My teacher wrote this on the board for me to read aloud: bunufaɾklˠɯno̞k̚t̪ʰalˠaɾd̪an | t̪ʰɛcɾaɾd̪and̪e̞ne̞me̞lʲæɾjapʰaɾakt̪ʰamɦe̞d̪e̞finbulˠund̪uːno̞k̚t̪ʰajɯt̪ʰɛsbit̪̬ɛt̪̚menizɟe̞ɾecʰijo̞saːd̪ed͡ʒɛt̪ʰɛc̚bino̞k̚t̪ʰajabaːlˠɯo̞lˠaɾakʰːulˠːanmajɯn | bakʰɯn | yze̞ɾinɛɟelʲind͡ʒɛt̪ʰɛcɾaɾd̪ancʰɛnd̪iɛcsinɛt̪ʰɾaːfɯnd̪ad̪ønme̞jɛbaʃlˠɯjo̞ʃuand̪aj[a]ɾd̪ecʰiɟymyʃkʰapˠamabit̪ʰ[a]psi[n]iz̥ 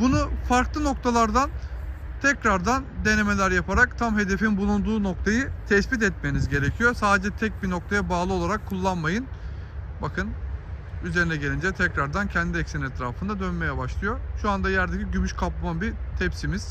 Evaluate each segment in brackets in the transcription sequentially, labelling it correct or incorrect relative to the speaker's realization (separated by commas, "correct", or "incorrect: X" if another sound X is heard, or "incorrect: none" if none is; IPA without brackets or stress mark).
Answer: incorrect: æ, incorrect: ɛ, incorrect: m